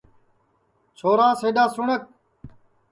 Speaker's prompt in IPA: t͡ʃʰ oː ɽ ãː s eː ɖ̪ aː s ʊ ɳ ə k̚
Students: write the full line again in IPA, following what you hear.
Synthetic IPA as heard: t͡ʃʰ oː ɾ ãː s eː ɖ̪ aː s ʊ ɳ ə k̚